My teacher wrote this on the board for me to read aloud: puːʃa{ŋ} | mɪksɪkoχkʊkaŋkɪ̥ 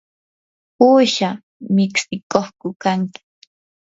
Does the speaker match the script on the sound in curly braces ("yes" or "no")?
no